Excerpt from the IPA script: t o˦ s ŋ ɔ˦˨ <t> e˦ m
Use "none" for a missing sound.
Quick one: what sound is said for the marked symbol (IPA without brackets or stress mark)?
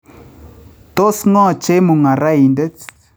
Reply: t͡ʃ